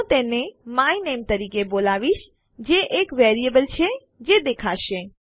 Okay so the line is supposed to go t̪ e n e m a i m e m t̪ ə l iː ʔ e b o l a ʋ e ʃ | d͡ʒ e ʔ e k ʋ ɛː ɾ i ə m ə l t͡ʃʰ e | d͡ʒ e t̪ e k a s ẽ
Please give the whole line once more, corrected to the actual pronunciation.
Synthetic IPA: t̪ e n e m a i n e m t̪ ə ɾ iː k e b o l a ʋ i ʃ | d͡ʒ e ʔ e k ʋ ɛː ɾ i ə b ə l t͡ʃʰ e | d͡ʒ e d̪ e kʰ a ʃ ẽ

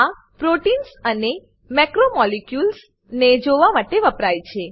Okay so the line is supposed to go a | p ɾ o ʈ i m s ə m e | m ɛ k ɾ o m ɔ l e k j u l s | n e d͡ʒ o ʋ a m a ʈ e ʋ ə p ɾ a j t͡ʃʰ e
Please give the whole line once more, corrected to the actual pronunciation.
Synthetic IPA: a | p ɾ o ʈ i n s ə n e | m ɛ k ɾ o m ɔ l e k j u l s | n e d͡ʒ o ʋ a m a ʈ e ʋ ə p ɾ a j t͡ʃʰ e

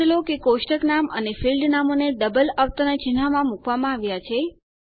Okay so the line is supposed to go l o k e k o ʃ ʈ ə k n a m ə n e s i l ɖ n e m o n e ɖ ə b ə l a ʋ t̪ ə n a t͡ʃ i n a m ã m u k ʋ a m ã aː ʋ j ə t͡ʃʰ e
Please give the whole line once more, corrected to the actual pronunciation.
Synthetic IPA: l o k e k o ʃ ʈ ə k n a m ə n e f i l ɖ n a m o n e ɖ ə b ə l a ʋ t̪ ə n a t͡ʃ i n a m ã m u k ʋ a m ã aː ʋ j a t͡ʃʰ e

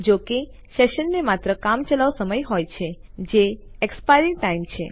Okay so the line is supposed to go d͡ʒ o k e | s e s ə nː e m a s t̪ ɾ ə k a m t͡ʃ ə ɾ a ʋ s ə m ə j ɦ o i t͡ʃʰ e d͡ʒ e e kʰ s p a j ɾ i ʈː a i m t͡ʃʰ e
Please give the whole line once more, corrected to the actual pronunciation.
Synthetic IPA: d͡ʒ o k e | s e ʃ ə nː e m a t̪ ɾ ə k a m t͡ʃ ə l a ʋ s ə m ə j ɦ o j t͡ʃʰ e d͡ʒ e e k s p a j ɾ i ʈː a i m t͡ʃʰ e

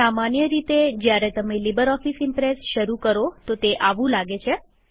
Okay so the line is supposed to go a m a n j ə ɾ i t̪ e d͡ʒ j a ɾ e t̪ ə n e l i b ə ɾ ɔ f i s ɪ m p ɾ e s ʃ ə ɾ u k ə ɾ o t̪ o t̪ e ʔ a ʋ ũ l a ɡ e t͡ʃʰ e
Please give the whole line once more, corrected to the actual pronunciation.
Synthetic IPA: a m a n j ə ɾ i t̪ e d͡ʒ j a ɾ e t̪ ə m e l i b ə ɾ ɔ f i s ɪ m p ɾ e s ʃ ə ɾ u k ə ɾ o t̪ o t̪ e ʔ a ʋ ũ l a ɡ e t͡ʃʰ e

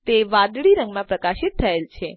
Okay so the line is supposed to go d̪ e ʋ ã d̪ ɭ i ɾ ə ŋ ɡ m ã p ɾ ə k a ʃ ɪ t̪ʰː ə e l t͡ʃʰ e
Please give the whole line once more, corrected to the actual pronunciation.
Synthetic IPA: t̪ e ʋ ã d̪ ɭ i ɾ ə ŋ ɡ m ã p ɾ ə k a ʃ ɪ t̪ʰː ə e l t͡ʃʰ e

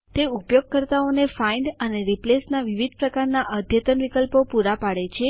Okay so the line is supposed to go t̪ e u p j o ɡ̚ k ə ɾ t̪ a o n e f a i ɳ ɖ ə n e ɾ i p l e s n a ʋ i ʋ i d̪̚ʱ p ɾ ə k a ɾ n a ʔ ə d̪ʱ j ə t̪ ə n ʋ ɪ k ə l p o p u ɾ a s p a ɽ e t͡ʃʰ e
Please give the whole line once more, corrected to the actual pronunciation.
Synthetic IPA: t̪ e u p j o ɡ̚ k ə ɾ t̪ a o n e f a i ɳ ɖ ə n e ɾ i p l e s n a ʋ i ʋ i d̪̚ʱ p ɾ ə k a ɾ n a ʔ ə d̪ʱ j ə t̪ ə n ʋ i k ə l p o p u ɾ a p a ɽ e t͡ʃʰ e

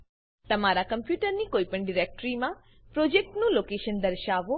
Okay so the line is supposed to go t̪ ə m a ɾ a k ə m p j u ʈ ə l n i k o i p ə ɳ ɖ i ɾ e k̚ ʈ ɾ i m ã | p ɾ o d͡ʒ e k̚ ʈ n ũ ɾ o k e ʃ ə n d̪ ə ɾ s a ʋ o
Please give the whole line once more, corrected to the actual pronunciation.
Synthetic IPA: t̪ ə m a ɾ a k ə m p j u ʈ ə ɾ n i k o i p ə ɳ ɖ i ɾ e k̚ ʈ ɾ i m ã | p ɾ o d͡ʒ e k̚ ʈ n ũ l o k e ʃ ə n d̪ ə ɾ ʃ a ʋ o

